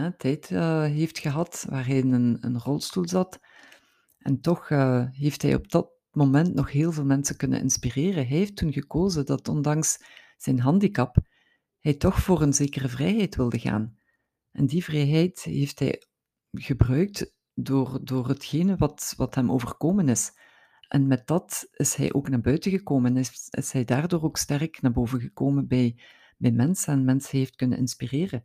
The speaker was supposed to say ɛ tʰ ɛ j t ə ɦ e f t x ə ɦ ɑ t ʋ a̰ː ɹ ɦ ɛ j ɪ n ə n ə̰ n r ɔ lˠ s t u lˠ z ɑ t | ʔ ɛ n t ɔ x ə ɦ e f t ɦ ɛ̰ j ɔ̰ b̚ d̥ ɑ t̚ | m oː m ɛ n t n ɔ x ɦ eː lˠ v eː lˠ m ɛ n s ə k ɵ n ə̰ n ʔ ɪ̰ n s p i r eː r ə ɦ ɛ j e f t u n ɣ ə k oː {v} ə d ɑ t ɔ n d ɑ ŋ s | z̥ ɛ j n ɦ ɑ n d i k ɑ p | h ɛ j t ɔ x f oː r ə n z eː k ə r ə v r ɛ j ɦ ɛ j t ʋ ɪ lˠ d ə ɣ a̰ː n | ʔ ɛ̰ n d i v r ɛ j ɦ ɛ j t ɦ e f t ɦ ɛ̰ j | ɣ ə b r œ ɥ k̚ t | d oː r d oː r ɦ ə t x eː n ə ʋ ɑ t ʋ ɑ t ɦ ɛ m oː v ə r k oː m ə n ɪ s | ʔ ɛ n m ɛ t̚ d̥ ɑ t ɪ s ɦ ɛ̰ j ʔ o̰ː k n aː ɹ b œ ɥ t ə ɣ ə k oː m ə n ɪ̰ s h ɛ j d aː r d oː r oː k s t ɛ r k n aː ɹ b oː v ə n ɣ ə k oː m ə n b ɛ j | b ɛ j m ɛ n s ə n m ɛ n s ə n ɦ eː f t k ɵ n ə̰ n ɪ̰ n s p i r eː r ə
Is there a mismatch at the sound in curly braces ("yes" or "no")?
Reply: yes